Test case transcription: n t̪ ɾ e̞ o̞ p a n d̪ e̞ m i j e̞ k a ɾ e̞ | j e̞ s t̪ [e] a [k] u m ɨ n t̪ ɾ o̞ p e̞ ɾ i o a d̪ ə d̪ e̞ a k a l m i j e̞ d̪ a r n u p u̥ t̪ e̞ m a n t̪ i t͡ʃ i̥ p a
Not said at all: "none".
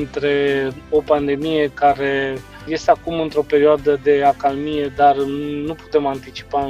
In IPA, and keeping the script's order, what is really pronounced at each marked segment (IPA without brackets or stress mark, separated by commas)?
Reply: e, k